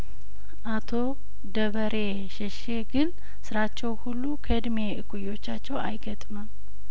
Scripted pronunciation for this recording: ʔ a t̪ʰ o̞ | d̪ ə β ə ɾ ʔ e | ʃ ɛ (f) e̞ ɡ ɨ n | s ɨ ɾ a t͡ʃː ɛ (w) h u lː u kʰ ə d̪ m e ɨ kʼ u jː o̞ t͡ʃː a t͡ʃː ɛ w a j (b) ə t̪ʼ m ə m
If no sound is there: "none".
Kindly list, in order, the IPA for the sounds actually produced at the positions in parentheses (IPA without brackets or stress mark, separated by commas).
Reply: ʃ, w, ɡ